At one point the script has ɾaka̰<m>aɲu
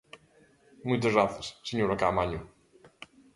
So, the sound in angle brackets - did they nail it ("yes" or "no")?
yes